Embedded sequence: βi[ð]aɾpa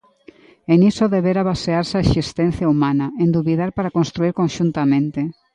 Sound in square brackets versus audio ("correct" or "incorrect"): correct